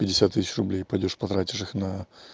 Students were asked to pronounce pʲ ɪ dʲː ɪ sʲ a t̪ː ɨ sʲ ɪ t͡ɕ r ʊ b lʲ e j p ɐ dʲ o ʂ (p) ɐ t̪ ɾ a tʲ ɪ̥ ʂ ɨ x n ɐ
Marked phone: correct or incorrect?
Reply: correct